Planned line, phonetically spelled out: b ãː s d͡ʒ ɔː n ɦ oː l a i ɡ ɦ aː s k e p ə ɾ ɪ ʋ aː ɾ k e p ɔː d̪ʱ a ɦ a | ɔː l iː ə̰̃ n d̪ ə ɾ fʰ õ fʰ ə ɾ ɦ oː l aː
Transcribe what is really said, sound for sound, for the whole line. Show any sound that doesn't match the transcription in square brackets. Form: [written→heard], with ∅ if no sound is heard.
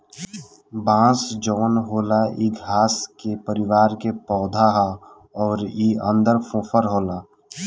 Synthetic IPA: b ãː s d͡ʒ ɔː n ɦ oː l a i ɡ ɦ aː s k e p ə ɾ ɪ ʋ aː ɾ k e p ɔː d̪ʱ a ɦ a | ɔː [l→ɾ] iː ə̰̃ n d̪ ə ɾ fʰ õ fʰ ə ɾ ɦ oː l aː

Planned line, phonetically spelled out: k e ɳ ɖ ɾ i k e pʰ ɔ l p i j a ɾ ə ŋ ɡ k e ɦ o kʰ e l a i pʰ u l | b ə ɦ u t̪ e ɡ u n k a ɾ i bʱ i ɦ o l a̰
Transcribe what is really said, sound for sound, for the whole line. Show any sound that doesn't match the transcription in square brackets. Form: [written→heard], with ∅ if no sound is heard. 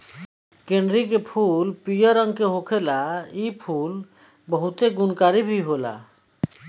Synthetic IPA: k e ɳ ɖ ɾ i k e pʰ [ɔ→u] l p i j [a→ə] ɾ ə ŋ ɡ k e ɦ o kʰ e l a i pʰ u l | b ə ɦ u t̪ e ɡ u n k a ɾ i bʱ i ɦ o l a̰

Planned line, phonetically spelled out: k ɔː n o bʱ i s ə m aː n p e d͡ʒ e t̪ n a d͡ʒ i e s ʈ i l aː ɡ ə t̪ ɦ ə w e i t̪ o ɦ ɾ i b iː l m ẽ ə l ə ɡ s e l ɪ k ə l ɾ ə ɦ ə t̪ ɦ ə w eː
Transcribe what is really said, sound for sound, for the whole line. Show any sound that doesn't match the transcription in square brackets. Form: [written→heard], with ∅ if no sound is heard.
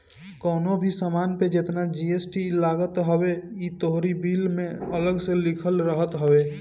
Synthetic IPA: k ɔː n o bʱ i s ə m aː n p e d͡ʒ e t̪ n a d͡ʒ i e s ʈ i l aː ɡ ə t̪ ɦ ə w e i t̪ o ɦ ɾ i b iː l m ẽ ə l ə ɡ s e l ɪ [k→kʰ] ə l ɾ ə ɦ ə t̪ ɦ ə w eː

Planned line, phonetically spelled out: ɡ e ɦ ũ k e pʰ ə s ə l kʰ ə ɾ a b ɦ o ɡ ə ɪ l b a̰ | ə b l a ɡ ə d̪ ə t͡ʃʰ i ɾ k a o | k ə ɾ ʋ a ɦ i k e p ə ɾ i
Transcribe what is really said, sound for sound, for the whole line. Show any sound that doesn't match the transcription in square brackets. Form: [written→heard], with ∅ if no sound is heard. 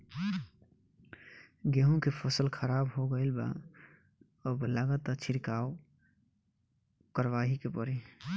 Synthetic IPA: ɡ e ɦ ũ k e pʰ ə s ə l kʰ ə ɾ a b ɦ o ɡ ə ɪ l b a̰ | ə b l a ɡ ə [d̪→t̪] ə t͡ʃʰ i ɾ k a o | k ə ɾ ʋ a ɦ i k e p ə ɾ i

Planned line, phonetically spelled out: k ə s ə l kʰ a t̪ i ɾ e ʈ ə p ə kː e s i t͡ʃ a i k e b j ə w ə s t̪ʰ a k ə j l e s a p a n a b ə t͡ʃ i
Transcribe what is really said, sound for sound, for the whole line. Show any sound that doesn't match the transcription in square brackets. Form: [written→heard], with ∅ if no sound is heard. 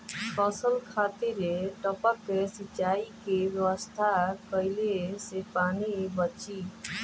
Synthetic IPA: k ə s ə l kʰ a t̪ i ɾ e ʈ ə p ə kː e s i t͡ʃ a i k e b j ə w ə s t̪ʰ a k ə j l e s [a→e] p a n [a→i] b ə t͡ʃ i

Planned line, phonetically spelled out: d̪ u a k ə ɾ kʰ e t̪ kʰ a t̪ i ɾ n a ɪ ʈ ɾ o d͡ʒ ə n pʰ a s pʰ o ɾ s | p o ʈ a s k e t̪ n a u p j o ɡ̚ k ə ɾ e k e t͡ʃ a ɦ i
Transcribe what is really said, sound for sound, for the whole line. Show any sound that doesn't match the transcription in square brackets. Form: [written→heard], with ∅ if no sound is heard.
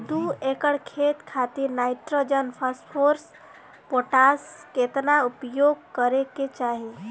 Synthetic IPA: d̪ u [a→e] k ə [ɾ→ɽ] kʰ e t̪ kʰ a t̪ i ɾ n a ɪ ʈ ɾ o d͡ʒ ə n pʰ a s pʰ o ɾ s | p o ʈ a s k e t̪ n a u p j o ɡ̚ k ə ɾ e k e t͡ʃ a ɦ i

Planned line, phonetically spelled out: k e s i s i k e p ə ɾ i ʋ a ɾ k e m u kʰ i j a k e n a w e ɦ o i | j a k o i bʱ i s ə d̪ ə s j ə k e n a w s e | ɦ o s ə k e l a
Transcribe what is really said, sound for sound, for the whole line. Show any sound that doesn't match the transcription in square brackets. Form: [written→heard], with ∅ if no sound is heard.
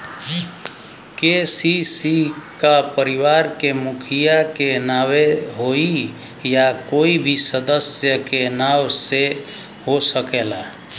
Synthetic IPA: k e s i s i k [e→a] p ə ɾ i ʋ a ɾ k e m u kʰ i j a k e n a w e ɦ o i | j a k o i bʱ i s ə d̪ ə s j ə k e n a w s e | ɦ o s ə k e l a

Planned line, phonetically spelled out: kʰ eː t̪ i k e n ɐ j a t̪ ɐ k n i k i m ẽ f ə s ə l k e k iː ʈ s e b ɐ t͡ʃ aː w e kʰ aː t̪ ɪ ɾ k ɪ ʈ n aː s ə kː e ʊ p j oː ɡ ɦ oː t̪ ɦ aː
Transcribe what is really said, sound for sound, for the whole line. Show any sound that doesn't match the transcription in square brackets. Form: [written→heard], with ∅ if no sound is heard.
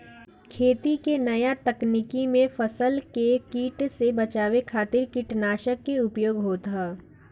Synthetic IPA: kʰ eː t̪ i k e n ɐ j a t̪ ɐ k n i k i m ẽ f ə s ə l k e k iː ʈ s e b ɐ t͡ʃ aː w e kʰ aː t̪ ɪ ɾ k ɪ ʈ n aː [s→ʃ] ə kː e ʊ p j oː ɡ ɦ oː t̪ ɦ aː

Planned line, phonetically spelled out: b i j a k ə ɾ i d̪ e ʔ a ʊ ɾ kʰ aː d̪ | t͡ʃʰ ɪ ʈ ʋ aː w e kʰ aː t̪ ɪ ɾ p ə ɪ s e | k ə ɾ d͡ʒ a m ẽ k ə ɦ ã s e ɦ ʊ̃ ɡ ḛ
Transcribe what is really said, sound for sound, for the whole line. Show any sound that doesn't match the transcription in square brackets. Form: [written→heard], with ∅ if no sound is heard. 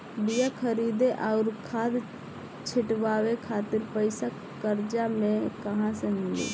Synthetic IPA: b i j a [k→kʰ] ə ɾ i d̪ e ʔ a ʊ ɾ kʰ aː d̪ | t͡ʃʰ ɪ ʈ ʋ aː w e kʰ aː t̪ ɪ ɾ p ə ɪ s [e→a] | k ə ɾ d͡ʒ a m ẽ k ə ɦ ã s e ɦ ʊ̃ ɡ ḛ

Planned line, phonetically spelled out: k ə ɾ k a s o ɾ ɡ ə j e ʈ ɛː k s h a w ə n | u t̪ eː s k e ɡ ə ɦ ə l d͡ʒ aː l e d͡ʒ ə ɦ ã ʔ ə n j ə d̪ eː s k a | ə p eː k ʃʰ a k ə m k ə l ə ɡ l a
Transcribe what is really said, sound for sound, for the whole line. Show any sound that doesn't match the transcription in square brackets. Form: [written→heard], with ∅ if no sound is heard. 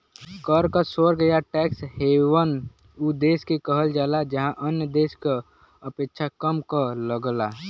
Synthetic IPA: k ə ɾ k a s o ɾ ɡ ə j [e→a] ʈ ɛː k s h [a→e] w ə n | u [t̪→d̪] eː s k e [ɡ→k] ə ɦ ə l d͡ʒ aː l [e→a] d͡ʒ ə ɦ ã ʔ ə n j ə d̪ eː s k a | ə p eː k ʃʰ a k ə m k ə l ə ɡ l a

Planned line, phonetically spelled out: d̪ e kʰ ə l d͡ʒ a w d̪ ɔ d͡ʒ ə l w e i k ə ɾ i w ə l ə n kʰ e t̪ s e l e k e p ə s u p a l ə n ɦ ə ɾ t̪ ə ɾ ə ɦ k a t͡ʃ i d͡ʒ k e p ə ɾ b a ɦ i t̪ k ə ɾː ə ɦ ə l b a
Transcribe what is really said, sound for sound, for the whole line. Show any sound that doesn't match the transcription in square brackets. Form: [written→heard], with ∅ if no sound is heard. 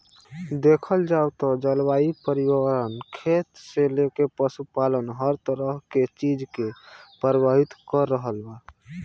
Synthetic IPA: d̪ e kʰ ə l d͡ʒ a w [d̪→t̪] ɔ d͡ʒ ə l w [e→a] i [k→p] ə ɾ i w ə [l→ɾ] ə n kʰ e t̪ s e l e k e p ə s u p a l ə n ɦ ə ɾ t̪ ə ɾ ə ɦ k [a→e] t͡ʃ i d͡ʒ k e p ə ɾ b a ɦ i t̪ k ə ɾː ə ɦ ə l b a

